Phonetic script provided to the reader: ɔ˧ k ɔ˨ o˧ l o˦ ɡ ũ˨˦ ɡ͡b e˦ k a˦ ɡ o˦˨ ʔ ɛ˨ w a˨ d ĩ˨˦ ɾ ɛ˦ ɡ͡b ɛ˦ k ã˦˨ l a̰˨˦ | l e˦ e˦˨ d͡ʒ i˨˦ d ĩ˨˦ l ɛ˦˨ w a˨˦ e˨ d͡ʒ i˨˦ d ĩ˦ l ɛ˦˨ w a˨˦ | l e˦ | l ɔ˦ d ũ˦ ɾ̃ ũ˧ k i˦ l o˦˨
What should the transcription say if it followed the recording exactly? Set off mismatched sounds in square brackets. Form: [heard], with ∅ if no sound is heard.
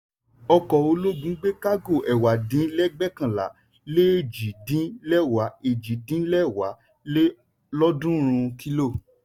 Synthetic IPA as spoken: ɔ˧ k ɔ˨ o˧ l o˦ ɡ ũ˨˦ ɡ͡b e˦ k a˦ ɡ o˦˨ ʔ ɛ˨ w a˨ d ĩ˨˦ [l] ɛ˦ ɡ͡b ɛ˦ k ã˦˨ l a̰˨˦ | l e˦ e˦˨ d͡ʒ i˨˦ d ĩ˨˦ l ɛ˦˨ w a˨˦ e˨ d͡ʒ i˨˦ d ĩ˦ l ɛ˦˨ w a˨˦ | l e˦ | l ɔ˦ d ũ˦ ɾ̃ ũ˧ k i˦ l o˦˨